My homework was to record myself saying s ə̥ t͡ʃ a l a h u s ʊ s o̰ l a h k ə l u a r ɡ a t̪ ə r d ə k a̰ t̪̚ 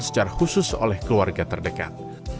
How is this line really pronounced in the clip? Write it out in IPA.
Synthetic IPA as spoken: s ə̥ t͡ʃ a ɾ a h u s ʊ s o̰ l ɛ h k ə l u a r ɡ a t̪ ə r d ə k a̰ t̪̚